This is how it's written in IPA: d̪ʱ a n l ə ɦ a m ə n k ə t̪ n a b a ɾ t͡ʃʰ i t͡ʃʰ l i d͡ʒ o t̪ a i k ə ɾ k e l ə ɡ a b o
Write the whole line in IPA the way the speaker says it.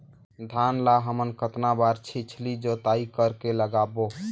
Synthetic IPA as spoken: d̪ʱ a n l a ɦ ə m ə n k ə t̪ n a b a ɾ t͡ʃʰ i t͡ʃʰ l i d͡ʒ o t̪ a i k ə ɾ k e l ə ɡ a b o